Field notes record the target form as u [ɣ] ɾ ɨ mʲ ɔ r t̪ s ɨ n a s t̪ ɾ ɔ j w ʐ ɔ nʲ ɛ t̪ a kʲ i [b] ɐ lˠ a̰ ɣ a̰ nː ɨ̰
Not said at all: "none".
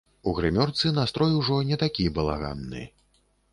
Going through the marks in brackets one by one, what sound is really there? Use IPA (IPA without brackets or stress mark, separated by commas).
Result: ɣ, b